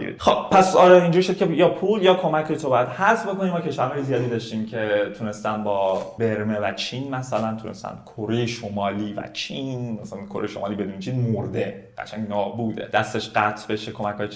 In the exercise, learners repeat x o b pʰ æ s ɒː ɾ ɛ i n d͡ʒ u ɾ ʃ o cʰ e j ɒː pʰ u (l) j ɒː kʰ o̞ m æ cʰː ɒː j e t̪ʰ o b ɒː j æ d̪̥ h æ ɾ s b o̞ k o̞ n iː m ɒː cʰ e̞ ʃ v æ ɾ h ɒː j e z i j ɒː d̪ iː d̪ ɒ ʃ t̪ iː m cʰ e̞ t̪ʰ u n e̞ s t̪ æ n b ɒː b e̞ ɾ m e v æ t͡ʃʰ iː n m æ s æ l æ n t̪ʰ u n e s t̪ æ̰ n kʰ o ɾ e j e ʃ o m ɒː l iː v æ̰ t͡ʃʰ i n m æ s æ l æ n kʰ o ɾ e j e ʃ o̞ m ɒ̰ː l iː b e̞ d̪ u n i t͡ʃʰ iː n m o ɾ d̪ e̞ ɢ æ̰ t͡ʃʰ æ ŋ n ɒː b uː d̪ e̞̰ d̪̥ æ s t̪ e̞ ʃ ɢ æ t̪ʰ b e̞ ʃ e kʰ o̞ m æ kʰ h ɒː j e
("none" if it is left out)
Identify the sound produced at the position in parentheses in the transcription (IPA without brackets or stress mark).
l